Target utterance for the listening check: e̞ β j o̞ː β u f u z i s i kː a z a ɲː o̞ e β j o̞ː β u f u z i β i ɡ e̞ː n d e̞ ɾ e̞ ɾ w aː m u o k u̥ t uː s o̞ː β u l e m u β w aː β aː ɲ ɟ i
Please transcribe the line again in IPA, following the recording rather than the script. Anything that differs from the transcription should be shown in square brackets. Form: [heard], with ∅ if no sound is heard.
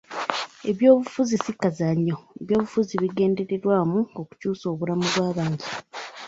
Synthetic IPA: e̞ β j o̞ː β u f u z i s i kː a z a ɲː o̞ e β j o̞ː β u f u z i β i ɡ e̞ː n d e̞ ɾ e̞ ɾ w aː m u o k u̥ [c] uː s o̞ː β u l [a] m u β w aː β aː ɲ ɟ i